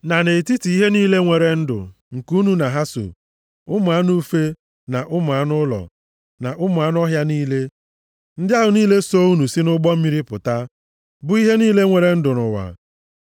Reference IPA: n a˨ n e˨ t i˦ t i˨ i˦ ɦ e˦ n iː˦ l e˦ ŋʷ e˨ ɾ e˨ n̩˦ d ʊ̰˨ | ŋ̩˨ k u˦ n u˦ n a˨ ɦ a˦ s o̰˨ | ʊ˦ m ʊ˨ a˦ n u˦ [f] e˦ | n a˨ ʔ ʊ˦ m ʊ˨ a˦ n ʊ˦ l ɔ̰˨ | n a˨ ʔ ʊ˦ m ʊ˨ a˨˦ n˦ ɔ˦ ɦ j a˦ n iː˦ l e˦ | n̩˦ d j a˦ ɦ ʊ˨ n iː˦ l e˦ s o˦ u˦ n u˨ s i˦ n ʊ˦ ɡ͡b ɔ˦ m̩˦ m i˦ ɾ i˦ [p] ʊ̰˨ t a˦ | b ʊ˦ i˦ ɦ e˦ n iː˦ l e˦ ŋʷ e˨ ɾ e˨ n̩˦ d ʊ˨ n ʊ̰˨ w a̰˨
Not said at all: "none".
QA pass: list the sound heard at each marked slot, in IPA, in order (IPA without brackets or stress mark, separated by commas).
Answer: f, p